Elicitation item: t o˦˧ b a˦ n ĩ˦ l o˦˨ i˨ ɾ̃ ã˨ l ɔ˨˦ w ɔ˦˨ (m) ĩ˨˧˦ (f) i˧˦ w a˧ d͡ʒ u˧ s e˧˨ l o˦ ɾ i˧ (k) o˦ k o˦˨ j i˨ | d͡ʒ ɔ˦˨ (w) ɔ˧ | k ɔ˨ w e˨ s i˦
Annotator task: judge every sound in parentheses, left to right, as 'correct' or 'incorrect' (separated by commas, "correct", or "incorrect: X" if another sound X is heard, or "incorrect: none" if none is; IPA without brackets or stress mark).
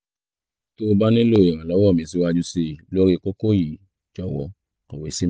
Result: correct, incorrect: s, correct, correct